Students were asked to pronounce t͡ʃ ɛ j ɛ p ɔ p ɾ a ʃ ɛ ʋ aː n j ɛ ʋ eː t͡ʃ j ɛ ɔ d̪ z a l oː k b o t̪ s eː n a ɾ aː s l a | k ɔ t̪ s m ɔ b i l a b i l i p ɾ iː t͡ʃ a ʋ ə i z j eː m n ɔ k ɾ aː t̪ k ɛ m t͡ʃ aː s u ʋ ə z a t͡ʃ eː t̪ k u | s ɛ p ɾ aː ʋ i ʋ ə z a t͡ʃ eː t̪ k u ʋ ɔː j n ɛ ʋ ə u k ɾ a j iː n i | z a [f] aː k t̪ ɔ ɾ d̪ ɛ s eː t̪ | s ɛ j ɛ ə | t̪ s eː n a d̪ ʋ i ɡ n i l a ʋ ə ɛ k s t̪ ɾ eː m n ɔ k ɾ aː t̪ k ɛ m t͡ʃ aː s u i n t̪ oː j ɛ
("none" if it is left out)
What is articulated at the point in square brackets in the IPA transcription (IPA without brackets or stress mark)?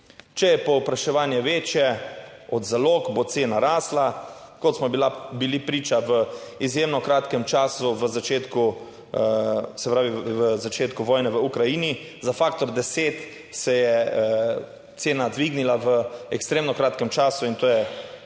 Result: f